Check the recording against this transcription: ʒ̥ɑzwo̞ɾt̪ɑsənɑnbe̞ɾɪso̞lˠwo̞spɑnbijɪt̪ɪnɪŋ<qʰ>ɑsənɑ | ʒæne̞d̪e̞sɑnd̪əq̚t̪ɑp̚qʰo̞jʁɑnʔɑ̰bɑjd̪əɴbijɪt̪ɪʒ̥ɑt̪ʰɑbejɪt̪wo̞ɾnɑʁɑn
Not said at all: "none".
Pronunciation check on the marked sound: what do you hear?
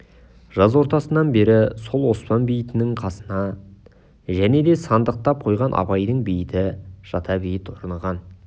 qʰ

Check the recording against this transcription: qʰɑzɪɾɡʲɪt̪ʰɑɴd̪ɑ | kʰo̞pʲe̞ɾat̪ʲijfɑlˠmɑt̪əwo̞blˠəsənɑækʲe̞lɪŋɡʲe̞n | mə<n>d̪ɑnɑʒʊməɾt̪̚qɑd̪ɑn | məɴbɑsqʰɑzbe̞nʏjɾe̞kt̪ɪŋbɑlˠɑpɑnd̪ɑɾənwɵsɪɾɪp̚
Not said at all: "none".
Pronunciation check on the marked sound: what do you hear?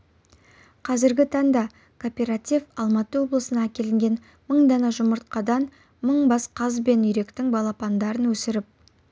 ɴ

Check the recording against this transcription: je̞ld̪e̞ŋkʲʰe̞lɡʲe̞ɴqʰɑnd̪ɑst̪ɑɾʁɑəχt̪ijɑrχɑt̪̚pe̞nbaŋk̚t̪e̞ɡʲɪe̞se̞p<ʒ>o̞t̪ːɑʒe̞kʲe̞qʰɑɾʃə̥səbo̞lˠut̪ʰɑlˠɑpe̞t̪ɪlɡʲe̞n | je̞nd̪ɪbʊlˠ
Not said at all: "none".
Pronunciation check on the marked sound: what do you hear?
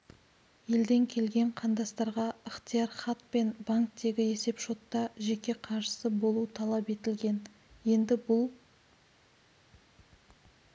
ʃ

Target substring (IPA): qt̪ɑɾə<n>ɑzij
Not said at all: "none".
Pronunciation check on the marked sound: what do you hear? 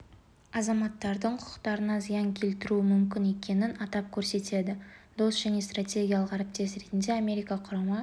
n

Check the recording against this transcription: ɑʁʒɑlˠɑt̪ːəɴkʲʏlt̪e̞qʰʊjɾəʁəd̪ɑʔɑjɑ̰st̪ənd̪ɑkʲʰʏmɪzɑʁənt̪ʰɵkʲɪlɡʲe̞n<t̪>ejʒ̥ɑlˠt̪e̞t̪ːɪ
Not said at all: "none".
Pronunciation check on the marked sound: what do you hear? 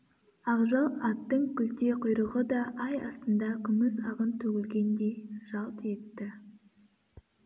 d̪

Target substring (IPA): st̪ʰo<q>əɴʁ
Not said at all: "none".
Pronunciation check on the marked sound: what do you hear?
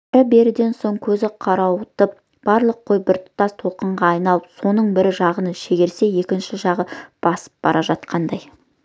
q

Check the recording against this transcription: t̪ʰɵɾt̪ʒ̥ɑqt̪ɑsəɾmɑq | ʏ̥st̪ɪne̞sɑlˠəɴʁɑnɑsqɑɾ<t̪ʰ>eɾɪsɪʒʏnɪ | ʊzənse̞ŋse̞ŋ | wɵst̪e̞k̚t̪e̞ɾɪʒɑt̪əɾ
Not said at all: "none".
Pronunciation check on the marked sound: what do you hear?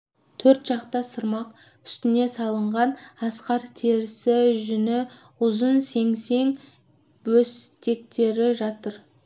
t̪ʰ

